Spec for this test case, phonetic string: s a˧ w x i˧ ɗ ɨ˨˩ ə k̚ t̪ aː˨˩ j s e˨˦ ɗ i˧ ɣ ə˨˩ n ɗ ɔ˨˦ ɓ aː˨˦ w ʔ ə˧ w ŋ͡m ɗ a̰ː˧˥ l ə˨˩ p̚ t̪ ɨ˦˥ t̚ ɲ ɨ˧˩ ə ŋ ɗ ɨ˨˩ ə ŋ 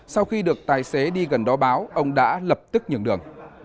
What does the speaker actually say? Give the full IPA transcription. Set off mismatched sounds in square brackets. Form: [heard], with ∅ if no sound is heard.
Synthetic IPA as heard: s a˧ w x i˧ ɗ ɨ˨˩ ə k̚ t̪ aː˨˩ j s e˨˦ ɗ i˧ ɣ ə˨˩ n ɗ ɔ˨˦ ɓ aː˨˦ w ʔ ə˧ w ŋ͡m ɗ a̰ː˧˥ l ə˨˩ p̚ t̪ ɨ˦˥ [k̚] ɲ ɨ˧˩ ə ŋ ɗ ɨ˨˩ ə ŋ